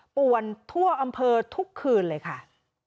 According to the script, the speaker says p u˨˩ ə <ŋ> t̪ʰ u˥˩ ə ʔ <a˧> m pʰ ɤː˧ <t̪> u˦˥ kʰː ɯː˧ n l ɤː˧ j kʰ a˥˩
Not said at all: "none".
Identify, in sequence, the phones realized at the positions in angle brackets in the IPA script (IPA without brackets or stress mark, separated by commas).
n, a˧, t̪ʰ